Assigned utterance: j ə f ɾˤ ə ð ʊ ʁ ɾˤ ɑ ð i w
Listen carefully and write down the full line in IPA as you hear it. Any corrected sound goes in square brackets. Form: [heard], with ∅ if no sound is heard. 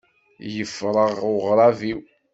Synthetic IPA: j ə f ɾˤ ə [ʁ] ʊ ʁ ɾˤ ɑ [v] i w